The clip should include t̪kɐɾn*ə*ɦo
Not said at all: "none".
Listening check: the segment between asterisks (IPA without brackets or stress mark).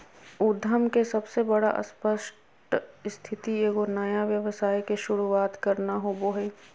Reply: a